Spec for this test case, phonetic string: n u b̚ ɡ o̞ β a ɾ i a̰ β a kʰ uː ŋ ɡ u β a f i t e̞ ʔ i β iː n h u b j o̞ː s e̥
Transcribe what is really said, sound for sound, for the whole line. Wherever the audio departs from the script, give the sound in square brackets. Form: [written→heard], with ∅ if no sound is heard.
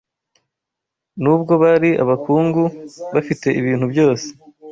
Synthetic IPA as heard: n u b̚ ɡ o̞ β a ɾ i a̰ β a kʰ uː ŋ ɡ u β a f i t e̞ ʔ i β iː n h u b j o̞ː s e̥

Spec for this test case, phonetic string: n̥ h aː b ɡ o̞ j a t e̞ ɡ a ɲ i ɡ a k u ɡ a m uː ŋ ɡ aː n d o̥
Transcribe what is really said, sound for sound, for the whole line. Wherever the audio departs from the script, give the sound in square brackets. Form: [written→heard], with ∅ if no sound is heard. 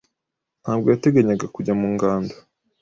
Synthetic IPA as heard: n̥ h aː b ɡ o̞ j a t e̞ ɡ a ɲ [i→a] ɡ a k u [ɡ→ɟ] a m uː ŋ ɡ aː n d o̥

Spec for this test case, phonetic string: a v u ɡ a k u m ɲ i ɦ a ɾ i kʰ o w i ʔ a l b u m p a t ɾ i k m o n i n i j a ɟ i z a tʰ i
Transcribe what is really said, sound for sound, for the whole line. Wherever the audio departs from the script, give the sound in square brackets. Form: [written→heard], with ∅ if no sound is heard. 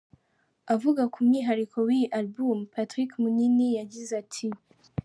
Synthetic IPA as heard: a v u ɡ a k u m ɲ i ɦ a ɾ i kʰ o w i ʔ a l b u m p a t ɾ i k m [o→u] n i n i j a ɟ i z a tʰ i

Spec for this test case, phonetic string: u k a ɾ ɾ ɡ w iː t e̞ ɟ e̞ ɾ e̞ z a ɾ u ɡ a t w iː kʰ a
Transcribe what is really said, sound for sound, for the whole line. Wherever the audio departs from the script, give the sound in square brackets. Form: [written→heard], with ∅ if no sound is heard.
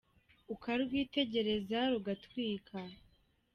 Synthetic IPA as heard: u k a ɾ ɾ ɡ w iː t e̞ ɟ e̞ ɾ e̞ z a ɾ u ɡ a t w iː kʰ a

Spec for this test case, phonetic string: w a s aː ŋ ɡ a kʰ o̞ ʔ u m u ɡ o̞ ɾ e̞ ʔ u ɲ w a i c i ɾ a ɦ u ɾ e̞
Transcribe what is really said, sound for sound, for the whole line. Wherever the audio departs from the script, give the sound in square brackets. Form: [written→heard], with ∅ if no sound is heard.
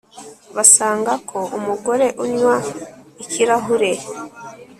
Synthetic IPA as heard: [w→β] a s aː ŋ ɡ a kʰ o̞ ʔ u m u ɡ o̞ ɾ e̞ ʔ u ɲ w a i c i ɾ a ɦ u ɾ e̞

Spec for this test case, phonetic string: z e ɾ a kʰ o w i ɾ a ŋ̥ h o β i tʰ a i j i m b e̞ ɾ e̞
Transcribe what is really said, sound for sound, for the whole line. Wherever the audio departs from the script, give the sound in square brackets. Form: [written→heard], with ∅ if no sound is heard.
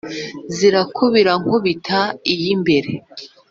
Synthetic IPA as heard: z [e→i] ɾ a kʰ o [w→β] i ɾ a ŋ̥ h o β i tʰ a i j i m b e̞ ɾ e̞

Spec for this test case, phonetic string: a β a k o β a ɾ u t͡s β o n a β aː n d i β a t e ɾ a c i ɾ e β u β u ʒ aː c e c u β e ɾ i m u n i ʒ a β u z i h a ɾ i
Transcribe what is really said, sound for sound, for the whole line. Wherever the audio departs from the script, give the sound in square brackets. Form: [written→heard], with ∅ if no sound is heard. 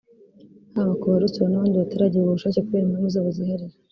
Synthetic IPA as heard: a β a k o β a ɾ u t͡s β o n a β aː n d i β a t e ɾ a [c→ɟ] i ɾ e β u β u [ʒ→ʃ] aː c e [c→k] u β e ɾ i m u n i [ʒ→z] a β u z i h a ɾ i

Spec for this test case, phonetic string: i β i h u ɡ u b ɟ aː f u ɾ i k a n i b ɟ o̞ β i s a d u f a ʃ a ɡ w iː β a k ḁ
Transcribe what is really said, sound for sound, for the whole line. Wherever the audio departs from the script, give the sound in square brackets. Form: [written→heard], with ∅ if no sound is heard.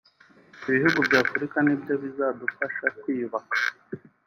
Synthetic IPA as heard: i β i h u ɡ u b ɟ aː f u ɾ i k a n i b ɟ o̞ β i [s→z] a d u f a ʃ a [ɡ→k] w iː β a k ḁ

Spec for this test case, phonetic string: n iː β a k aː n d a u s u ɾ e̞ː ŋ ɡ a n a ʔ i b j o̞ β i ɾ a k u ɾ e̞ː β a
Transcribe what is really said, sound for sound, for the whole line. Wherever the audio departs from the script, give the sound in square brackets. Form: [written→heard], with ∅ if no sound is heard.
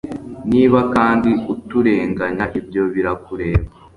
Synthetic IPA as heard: n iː β a k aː n d [a→i] u [s→t] u ɾ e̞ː ŋ ɡ a [n→ɲ] a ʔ i b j o̞ β i ɾ a k u ɾ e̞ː β a

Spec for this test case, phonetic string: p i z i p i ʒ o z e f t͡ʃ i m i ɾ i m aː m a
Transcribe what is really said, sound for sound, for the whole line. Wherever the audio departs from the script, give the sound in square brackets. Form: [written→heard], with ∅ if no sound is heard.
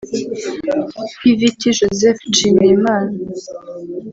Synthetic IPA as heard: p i [z→v] i [p→t] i ʒ o z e f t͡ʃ i m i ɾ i m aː [m→n] a

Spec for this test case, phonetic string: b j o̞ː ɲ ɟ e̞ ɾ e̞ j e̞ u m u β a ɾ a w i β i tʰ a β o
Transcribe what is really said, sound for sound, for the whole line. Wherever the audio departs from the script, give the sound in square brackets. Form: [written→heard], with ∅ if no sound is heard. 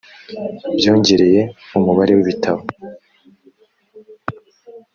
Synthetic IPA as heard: b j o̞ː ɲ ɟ e̞ ɾ e̞ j e̞ u m u β a ɾ [a→e] w i β i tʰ a β o

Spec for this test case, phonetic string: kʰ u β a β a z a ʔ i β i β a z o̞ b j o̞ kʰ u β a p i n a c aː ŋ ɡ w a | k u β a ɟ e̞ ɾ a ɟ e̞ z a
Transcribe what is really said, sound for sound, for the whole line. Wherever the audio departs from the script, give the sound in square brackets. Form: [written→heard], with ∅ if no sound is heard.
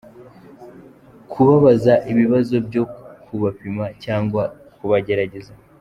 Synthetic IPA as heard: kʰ u β a β a z a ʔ i β i β a z o̞ b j o̞ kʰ u β a p i [n→m] a c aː ŋ ɡ w a | k u β a ɟ e̞ ɾ a ɟ e̞ z a

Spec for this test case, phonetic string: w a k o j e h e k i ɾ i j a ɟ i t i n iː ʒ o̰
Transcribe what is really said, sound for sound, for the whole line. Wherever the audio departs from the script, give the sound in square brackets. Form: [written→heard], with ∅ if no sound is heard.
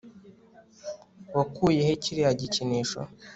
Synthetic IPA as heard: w a k [o→u] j e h e [k→c] i ɾ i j a ɟ i [t→c] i n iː [ʒ→ʃ] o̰

